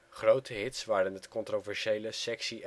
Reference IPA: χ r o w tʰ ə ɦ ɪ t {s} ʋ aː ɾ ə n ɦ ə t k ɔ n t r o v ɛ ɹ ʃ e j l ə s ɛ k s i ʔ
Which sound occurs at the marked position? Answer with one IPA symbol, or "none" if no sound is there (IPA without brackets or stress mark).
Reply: s